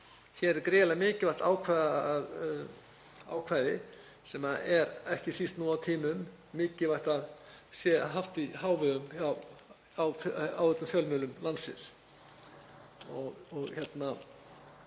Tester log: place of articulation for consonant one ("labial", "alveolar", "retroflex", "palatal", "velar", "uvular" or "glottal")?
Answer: palatal